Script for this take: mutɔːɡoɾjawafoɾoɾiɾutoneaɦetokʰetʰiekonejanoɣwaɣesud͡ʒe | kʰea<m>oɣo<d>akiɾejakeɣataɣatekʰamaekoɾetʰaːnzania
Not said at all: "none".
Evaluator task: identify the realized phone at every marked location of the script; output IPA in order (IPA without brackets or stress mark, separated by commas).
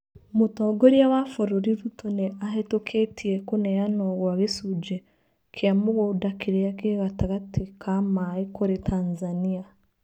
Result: m, d